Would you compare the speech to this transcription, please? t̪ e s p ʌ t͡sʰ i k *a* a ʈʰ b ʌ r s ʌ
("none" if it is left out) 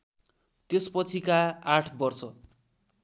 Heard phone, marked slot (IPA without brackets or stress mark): a